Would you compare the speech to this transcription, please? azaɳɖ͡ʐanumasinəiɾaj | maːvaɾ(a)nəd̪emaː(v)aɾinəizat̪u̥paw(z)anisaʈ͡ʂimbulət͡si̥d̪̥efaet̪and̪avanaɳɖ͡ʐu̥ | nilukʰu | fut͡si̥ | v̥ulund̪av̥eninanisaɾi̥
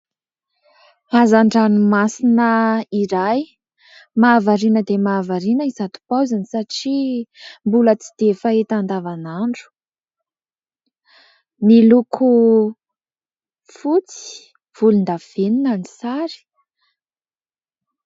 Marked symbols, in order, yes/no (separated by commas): no, yes, yes